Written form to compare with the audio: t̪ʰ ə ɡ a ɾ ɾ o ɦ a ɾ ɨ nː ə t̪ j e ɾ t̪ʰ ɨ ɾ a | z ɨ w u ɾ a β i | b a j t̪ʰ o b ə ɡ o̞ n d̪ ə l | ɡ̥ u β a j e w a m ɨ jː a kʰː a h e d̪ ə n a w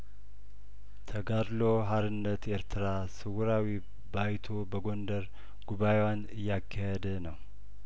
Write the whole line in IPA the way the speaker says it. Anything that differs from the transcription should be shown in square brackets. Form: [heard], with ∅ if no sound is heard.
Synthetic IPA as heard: t̪ʰ ə ɡ a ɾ [l] o ɦ a ɾ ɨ nː ə t̪ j e ɾ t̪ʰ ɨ ɾ a | [s] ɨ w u ɾ a [w] i | b a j t̪ʰ o b ə ɡ o̞ n d̪ ə [ɾ] | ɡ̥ u β a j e w a [n] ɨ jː a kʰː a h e d̪ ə n [ə] w